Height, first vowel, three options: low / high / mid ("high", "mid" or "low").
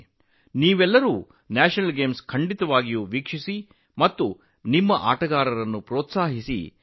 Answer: high